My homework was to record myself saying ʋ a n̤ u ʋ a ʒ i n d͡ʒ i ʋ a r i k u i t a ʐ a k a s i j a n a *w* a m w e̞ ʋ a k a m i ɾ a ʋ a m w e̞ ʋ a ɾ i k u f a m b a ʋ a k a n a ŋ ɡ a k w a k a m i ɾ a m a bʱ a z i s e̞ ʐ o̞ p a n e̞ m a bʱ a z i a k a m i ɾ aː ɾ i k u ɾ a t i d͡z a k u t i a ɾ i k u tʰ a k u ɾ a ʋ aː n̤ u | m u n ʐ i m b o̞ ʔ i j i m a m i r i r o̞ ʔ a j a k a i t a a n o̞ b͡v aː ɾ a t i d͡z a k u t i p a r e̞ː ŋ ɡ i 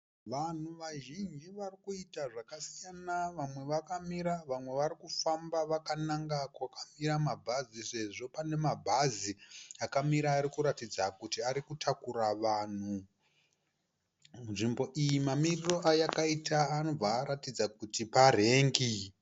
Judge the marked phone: incorrect: ʋ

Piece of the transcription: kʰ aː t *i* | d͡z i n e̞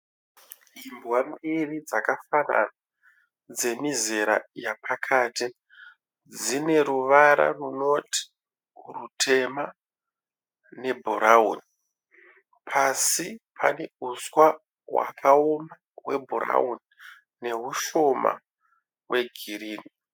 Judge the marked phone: correct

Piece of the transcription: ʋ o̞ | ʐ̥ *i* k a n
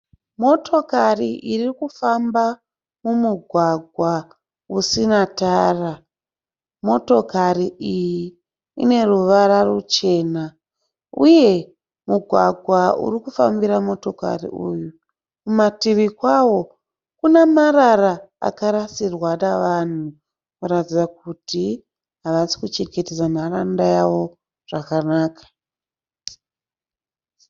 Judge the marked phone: incorrect: a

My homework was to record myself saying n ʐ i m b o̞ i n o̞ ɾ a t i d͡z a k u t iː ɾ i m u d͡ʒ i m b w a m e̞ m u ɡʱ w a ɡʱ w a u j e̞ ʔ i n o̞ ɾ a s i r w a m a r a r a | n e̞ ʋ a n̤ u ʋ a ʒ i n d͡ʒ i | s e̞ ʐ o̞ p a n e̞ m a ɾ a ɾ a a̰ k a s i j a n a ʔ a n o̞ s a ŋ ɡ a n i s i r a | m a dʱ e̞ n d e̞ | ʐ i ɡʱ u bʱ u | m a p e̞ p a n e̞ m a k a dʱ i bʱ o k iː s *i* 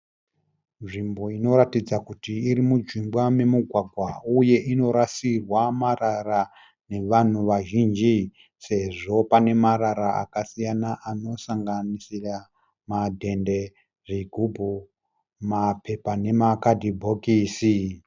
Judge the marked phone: correct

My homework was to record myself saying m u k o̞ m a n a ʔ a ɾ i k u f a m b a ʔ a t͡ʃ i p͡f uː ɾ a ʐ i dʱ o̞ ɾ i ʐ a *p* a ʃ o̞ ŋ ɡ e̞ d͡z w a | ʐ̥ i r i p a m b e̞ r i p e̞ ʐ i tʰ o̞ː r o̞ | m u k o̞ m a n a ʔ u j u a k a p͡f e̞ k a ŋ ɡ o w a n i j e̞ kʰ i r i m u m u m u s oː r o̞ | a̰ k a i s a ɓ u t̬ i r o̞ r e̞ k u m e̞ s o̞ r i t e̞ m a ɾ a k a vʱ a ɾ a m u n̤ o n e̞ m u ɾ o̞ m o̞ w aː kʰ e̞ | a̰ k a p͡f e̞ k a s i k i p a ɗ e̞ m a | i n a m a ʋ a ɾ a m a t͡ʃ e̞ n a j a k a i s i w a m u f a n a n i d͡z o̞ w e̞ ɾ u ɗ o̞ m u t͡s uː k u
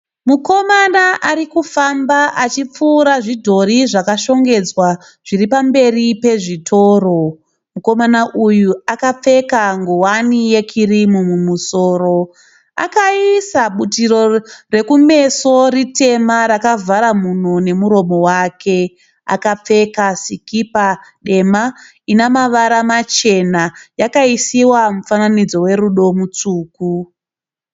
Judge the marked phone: incorrect: k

